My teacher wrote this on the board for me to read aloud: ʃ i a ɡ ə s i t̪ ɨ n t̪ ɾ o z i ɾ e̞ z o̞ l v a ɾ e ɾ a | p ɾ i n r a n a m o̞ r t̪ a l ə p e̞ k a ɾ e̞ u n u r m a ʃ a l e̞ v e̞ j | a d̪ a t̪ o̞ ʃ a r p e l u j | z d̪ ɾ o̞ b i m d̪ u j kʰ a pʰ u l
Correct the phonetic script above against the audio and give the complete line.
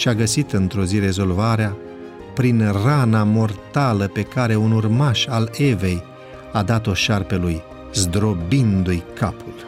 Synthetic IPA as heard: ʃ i a ɡ ə s i t̪ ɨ n t̪ ɾ o z i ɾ e̞ z o̞ l v a ɾ e a | p ɾ i n r a n a m o̞ r t̪ a l ə p e̞ k a ɾ e̞ u n u r m a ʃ a l e̞ v e̞ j | a d̪ a t̪ o̞ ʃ a r p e l u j | z d̪ ɾ o̞ b i n d̪ u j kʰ a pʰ u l